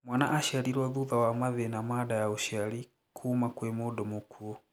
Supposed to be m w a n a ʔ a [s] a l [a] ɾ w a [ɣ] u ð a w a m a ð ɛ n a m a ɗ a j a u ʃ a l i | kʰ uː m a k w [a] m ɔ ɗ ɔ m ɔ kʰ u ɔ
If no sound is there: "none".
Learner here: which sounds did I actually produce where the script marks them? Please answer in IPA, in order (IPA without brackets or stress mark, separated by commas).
ʃ, i, ð, ɛ